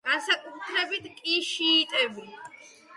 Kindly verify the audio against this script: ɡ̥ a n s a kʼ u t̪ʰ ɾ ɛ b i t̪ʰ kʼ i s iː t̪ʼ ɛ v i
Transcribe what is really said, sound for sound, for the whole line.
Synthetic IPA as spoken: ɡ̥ a n s a kʼ u t̪ʰ ɾ ɛ b i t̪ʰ kʼ i ʃ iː t̪ʼ ɛ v i

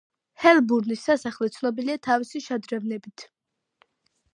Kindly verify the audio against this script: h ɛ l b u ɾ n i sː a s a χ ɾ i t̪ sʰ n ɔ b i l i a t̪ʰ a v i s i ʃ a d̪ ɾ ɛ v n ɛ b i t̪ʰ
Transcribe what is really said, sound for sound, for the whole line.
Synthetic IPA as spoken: h ɛ l b u ɾ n i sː a s a χ l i t̪ sʰ n ɔ b i l i a t̪ʰ a v i s i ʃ a d̪ ɾ ɛ v n ɛ b i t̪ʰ

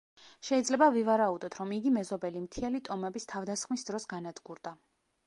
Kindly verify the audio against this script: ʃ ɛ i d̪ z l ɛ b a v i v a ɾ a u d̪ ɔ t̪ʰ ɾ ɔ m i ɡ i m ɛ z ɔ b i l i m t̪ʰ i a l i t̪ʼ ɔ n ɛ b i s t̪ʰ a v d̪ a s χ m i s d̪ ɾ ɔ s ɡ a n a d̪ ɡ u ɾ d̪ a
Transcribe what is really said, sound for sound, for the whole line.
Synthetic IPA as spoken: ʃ ɛ i d̪ z l ɛ b a v i v a ɾ a u d̪ ɔ t̪ʰ ɾ ɔ m i ɡ i m ɛ z ɔ b ɛ l i m t̪ʰ i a l i t̪ʼ ɔ m ɛ b i s t̪ʰ a v d̪ a s χ m i s d̪ ɾ ɔ s ɡ a n a d̪ ɡ u ɾ d̪ a

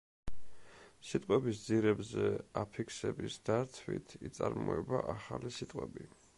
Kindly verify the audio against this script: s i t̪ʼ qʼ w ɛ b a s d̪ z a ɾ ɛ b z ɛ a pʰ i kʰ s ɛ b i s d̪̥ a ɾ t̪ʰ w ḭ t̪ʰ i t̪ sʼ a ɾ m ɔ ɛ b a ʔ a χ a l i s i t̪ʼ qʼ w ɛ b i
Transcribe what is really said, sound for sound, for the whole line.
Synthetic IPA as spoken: s i t̪ʼ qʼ w ɛ b i s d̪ z i ɾ ɛ b z ɛ a pʰ i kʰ s ɛ b i s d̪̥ a ɾ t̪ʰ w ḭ t̪ʰ i t̪ sʼ a ɾ m ɔ ɛ b a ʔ a χ a l i s i t̪ʼ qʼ w ɛ b i

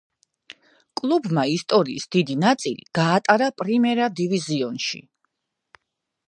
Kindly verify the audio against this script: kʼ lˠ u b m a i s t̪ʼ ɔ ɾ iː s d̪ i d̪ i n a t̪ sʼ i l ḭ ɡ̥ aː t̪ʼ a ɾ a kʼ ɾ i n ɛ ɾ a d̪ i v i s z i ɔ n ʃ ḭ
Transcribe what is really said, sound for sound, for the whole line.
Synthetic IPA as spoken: kʼ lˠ u b m a i s t̪ʼ ɔ ɾ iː s d̪ i d̪ i n a t̪ sʼ i l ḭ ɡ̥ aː t̪ʼ a ɾ a pʼ ɾ i m ɛ ɾ a d̪ i v i z i ɔ n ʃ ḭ

